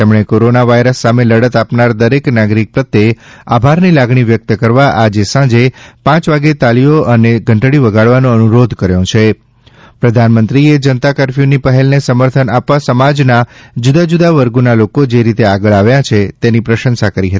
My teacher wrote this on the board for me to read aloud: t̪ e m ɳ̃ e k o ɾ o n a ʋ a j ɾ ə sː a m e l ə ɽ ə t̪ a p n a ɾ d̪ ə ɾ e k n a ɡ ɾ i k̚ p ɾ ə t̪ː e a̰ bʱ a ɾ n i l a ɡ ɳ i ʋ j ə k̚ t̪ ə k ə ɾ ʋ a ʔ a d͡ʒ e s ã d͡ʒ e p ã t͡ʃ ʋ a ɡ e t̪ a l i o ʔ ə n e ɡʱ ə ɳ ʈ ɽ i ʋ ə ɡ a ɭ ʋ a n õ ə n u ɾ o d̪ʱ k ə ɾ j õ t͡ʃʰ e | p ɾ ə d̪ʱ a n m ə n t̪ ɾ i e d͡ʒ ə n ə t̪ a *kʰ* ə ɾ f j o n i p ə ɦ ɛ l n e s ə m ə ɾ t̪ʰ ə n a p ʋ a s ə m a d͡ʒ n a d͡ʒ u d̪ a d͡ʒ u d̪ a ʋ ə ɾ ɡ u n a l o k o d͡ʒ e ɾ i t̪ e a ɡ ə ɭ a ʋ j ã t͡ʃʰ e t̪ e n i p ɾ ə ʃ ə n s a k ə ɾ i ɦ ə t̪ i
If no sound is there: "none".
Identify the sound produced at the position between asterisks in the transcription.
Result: k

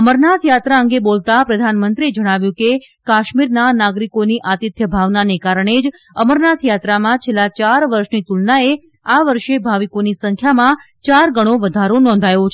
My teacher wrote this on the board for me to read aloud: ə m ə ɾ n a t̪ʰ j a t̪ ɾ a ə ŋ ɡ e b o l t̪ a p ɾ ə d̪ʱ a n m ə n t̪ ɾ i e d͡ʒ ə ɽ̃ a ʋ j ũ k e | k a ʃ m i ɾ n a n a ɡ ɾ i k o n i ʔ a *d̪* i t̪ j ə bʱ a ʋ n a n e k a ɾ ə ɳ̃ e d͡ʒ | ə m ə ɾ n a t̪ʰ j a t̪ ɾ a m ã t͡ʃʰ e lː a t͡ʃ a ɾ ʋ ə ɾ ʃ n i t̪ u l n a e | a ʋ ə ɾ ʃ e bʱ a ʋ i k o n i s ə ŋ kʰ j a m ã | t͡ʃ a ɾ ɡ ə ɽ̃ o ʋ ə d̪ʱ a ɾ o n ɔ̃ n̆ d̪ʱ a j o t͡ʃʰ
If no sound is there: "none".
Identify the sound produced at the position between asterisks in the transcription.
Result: t̪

